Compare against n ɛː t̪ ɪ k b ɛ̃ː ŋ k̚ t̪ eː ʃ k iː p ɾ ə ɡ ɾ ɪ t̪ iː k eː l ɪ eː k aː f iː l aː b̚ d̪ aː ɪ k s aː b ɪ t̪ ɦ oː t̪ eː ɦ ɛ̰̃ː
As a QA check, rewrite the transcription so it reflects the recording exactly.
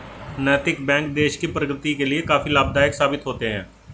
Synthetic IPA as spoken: n ɛː t̪ ɪ k b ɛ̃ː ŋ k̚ d̪ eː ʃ k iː p ɾ ə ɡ ɾ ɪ t̪ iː k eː l ɪ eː k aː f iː l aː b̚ d̪ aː ɪ k s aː b ɪ t̪ ɦ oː t̪ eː ɦ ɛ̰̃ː